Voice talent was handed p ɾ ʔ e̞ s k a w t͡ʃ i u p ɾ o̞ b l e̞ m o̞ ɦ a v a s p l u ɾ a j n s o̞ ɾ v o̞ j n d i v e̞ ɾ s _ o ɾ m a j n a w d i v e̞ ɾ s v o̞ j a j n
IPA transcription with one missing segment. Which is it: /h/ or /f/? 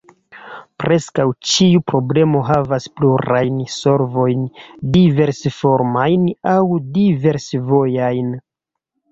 f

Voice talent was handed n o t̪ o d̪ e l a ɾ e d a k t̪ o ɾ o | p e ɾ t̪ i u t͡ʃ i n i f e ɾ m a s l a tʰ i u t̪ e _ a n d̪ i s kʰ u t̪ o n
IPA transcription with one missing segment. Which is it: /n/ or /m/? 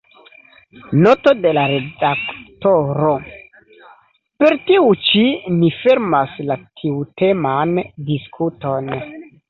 m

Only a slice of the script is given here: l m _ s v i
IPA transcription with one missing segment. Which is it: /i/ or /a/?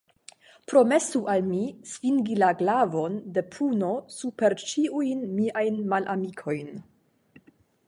i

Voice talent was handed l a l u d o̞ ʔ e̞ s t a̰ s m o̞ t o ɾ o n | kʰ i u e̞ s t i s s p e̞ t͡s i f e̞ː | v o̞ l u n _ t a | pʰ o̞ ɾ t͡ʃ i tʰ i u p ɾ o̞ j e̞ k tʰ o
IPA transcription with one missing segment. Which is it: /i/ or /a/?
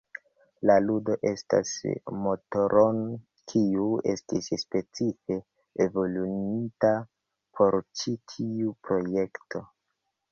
i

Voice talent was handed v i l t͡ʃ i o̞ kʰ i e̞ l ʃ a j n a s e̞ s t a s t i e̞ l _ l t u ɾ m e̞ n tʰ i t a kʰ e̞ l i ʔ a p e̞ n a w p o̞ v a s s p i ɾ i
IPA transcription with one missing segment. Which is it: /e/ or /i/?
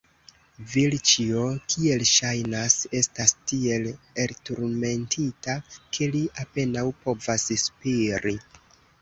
e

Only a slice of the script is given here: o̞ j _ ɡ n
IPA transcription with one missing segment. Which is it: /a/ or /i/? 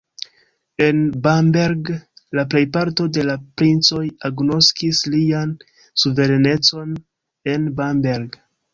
a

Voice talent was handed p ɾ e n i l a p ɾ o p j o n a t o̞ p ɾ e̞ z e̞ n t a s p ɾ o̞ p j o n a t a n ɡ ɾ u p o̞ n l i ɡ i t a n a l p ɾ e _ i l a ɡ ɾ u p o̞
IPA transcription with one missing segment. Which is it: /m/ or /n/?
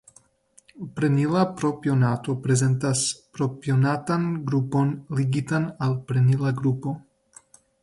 n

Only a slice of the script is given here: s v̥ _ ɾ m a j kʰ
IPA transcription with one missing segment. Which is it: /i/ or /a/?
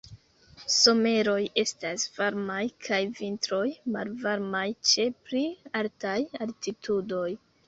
a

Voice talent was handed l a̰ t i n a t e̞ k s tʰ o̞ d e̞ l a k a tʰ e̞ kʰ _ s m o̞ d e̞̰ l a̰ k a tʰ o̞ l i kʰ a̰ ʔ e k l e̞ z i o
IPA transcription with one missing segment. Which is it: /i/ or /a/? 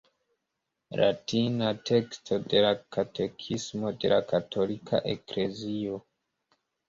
i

